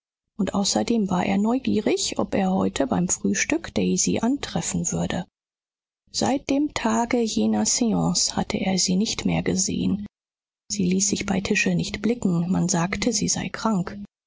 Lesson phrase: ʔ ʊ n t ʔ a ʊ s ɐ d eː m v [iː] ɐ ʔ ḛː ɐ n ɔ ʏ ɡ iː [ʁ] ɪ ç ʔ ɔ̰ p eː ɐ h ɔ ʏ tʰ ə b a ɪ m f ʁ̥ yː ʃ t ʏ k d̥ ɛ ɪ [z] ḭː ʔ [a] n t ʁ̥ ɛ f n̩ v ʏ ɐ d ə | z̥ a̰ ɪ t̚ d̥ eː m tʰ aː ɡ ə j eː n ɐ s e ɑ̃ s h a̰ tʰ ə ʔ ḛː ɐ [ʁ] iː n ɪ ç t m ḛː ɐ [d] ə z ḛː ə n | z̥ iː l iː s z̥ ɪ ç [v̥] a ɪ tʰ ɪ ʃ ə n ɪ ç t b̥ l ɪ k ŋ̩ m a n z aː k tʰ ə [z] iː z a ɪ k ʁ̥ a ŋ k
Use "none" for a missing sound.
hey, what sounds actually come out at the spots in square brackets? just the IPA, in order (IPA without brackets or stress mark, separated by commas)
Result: aː, ʁ, z, a, z, ɡ, b̥, z